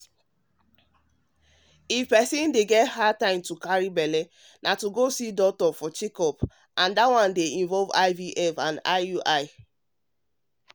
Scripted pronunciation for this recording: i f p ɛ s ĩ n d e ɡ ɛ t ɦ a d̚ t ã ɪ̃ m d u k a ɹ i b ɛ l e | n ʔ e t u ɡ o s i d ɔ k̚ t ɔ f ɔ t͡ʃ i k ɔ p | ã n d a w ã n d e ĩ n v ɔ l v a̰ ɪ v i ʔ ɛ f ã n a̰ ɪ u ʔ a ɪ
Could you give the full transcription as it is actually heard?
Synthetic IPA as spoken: i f p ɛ s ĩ n d e ɡ ɛ t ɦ a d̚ t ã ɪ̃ m t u k a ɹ i b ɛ l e | n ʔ a t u ɡ o s i d ɔ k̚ t ɔ f ɔ t͡ʃ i k ɔ p | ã n d a w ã n d e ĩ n v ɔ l v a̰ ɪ v i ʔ ɛ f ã n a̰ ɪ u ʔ a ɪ